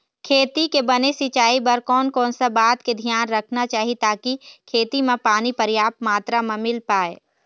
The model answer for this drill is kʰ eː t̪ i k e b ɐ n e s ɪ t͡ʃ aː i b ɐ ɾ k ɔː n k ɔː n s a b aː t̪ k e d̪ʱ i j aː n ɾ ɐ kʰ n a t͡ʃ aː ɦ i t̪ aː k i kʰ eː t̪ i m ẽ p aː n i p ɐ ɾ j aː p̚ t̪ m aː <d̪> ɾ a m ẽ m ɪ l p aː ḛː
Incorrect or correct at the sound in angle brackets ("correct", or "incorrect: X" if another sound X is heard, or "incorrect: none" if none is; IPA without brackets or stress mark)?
incorrect: t̪